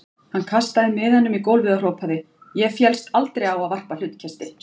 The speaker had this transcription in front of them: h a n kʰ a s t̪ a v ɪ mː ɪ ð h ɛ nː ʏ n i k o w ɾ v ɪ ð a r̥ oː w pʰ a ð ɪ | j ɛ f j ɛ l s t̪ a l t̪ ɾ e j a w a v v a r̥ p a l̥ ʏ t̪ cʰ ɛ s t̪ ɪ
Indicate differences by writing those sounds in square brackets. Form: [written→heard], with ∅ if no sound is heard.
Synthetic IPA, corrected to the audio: h a n kʰ a s t̪ a [v→ð] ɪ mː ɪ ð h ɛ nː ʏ [n→m] i k o w [ɾ→l] v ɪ ð a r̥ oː w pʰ a ð ɪ | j ɛ f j ɛ l s t̪ a l t̪ ɾ e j a w a [v→ð] v a r̥ p a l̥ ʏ t̪ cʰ ɛ s t̪ ɪ